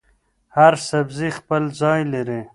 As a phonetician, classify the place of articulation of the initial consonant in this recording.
glottal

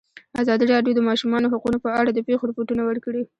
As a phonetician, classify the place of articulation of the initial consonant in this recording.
alveolar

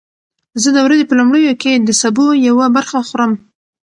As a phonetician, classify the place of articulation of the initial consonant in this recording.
alveolar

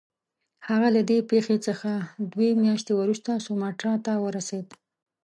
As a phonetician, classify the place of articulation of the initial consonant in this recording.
glottal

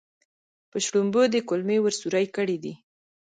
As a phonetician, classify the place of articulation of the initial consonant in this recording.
labial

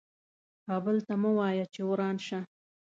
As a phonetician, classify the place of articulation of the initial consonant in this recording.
velar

